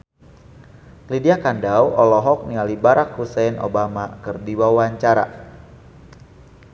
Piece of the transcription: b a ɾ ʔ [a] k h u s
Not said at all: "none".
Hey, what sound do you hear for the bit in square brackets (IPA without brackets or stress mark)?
a